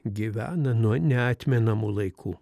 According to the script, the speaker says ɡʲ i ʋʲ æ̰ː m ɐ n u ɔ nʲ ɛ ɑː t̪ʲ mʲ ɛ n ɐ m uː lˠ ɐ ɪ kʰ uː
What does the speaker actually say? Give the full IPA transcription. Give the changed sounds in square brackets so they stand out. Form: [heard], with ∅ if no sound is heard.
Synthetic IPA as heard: ɡʲ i ʋʲ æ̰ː [n] ɐ n u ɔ nʲ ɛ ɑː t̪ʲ mʲ ɛ n ɐ m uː lˠ ɐ ɪ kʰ uː